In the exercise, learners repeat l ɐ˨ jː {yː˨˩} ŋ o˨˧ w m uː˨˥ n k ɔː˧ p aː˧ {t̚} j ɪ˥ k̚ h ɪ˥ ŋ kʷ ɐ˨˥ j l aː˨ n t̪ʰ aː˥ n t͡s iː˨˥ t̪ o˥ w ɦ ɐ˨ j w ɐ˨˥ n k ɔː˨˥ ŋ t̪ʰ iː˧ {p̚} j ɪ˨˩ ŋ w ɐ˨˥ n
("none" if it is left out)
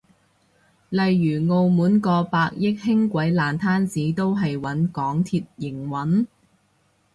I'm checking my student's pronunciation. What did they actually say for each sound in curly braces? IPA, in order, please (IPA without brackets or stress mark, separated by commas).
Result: yː˨˩, k̚, t̚